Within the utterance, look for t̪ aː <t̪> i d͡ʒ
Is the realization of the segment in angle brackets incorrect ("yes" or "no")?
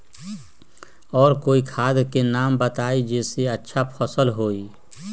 yes